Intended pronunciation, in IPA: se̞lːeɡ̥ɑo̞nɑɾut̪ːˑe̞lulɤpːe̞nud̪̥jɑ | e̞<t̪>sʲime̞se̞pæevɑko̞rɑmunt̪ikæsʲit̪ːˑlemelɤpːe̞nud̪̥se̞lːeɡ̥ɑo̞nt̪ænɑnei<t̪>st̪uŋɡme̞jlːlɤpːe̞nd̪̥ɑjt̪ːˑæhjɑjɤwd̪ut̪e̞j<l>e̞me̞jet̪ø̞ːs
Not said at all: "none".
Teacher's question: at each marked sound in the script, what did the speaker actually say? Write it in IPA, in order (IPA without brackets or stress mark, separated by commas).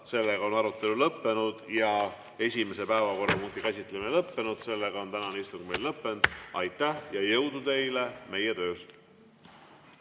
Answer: none, none, l